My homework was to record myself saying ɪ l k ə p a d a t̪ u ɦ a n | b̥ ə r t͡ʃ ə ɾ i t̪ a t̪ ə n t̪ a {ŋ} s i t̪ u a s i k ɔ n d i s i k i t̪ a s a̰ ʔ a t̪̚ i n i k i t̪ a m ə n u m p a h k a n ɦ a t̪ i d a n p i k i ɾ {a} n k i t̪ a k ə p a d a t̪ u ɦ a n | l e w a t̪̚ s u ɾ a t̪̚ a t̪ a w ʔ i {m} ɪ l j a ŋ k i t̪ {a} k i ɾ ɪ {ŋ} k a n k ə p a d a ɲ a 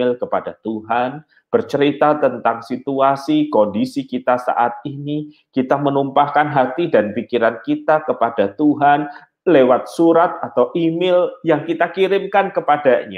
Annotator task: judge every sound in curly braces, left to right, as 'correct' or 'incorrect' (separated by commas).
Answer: correct, correct, correct, correct, incorrect